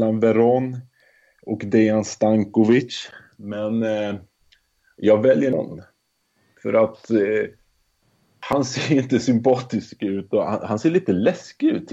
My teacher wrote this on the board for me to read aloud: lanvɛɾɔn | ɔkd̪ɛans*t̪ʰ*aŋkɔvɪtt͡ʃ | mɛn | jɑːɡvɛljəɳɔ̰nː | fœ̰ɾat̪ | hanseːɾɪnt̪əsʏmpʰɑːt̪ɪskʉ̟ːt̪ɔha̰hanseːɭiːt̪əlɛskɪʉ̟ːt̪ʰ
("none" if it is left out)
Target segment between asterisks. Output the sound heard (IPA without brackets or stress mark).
t̪